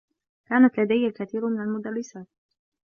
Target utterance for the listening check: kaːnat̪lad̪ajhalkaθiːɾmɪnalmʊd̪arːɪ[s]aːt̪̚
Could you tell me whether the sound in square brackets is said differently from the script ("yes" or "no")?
no